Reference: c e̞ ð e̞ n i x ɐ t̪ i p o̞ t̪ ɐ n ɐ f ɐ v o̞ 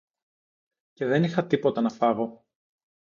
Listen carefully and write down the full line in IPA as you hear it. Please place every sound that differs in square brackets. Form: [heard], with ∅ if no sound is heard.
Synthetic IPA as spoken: c e̞ ð e̞ n i x ɐ t̪ i p o̞ t̪ ɐ n ɐ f ɐ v o̞